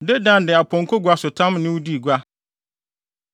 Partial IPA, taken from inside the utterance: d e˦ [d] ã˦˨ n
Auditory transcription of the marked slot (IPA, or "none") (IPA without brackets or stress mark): d